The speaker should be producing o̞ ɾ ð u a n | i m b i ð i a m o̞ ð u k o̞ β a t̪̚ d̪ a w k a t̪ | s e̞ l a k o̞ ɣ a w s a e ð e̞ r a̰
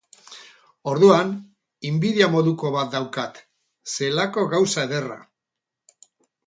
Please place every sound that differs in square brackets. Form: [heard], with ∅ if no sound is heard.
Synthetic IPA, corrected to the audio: o̞ ɾ ð u a n | i m b i ð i a m o̞ ð u k o̞ β a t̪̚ d̪ a w k a t̪ | s e̞ l a k o̞ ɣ a w s a e ð e̞ r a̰

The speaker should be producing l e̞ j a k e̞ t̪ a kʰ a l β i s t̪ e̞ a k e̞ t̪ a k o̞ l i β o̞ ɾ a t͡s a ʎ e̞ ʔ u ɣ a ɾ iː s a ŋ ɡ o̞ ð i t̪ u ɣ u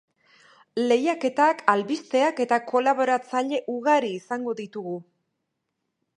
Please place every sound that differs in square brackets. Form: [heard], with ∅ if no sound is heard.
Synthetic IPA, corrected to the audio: l e̞ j a k e̞ t̪ a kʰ a l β i s t̪ e̞ a k e̞ t̪ a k o̞ l [a] β o̞ ɾ a t͡s a ʎ e̞ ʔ u ɣ a ɾ iː s a ŋ ɡ o̞ ð i t̪ u ɣ u

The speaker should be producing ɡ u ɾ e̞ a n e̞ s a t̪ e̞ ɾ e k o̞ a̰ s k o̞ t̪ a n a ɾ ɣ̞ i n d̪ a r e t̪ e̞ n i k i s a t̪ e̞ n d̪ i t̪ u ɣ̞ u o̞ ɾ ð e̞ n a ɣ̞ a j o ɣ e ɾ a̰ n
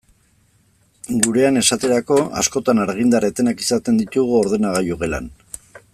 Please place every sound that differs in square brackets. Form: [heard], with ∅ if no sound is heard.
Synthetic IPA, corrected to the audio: ɡ u ɾ e̞ a n e̞ s a t̪ e̞ ɾ [a] k o̞ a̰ s k o̞ t̪ a n a ɾ ɣ̞ i n d̪ a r e t̪ e̞ n [a] k i s a t̪ e̞ n d̪ i t̪ u ɣ̞ u o̞ ɾ ð e̞ n a ɣ̞ a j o ɣ e [l] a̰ n

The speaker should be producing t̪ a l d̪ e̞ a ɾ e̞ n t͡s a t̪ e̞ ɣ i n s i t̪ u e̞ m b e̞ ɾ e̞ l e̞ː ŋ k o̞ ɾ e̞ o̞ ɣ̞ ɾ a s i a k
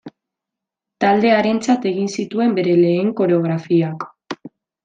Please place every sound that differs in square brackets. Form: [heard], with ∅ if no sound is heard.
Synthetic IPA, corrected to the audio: t̪ a l d̪ e̞ a ɾ e̞ n t͡s a t̪ e̞ ɣ i n s i t̪ u e̞ m b e̞ ɾ e̞ l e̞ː ŋ k o̞ ɾ e̞ o̞ ɣ̞ ɾ a [f] i a k

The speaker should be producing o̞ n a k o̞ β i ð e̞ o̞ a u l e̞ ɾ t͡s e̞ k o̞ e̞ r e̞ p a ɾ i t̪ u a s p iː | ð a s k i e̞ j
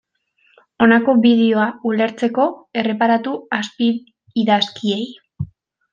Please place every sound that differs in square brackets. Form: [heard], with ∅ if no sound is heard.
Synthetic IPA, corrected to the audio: o̞ n a k o̞ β i ð e̞ o̞ a u l e̞ ɾ t͡s e̞ k o̞ e̞ r e̞ p a ɾ [a] t̪ u a s p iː | ð a s k i e̞ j

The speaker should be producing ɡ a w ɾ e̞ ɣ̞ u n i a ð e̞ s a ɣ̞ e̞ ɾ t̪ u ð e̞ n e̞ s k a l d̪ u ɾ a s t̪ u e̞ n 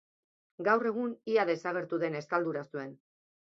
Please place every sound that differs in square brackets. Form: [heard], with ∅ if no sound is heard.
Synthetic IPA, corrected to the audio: ɡ a w [r] e̞ ɣ̞ u n i a ð e̞ s a ɣ̞ e̞ ɾ t̪ u ð e̞ n e̞ s k a l d̪ u ɾ a s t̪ u e̞ n

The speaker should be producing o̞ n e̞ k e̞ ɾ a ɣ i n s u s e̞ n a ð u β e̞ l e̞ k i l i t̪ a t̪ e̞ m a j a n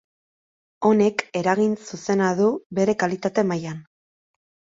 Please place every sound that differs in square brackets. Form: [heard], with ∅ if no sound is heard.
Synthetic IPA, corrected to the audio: o̞ n e̞ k e̞ ɾ a ɣ i n s u s e̞ n a ð u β e̞ [ɾ] e̞ k [a] l i t̪ a t̪ e̞ m a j a n

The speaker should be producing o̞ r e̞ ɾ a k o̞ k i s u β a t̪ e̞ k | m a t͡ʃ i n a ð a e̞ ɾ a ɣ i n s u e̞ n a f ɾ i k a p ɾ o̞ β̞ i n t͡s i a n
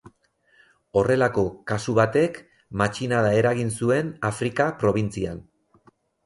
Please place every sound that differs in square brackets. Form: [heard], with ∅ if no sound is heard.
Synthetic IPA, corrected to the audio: o̞ r e̞ [l] a k o̞ k [a] s u β a t̪ e̞ k | m a t͡ʃ i n a ð a e̞ ɾ a ɣ i n s u e̞ n a f ɾ i k a p ɾ o̞ β̞ i n t͡s i a n

